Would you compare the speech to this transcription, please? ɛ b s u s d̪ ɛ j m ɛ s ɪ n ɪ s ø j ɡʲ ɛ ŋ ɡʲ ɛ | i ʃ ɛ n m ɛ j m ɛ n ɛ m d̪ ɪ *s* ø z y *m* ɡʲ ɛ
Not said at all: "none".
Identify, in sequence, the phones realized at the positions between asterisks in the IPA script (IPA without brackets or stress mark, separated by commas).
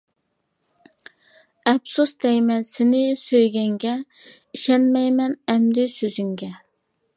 s, ŋ